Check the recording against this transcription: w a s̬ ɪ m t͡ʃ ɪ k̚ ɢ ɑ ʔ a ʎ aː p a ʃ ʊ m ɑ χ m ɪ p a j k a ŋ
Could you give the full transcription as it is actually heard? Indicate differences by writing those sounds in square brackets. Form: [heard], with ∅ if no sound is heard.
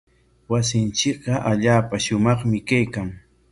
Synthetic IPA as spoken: w a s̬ ɪ [n] t͡ʃ ɪ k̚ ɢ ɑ ʔ a ʎ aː p a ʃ ʊ m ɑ χ m ɪ [k] a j k a ŋ